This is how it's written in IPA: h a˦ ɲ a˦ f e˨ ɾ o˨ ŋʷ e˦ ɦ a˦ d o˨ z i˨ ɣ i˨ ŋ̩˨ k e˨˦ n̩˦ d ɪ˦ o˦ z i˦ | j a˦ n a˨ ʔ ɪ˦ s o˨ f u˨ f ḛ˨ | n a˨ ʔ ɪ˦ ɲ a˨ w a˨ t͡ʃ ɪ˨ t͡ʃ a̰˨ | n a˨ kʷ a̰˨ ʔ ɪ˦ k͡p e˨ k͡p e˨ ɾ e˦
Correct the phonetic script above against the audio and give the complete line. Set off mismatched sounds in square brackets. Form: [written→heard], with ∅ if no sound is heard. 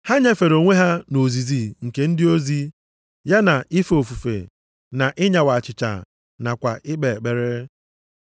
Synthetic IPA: h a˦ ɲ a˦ f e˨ ɾ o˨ ŋʷ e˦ ɦ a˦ [d→n] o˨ z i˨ [ɣ→z] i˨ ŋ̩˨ k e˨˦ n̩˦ d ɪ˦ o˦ z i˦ | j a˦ n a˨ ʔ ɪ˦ [s→f] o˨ f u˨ f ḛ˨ | n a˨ ʔ ɪ˦ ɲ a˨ w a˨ t͡ʃ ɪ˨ t͡ʃ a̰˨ | n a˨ kʷ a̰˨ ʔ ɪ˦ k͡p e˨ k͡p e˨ ɾ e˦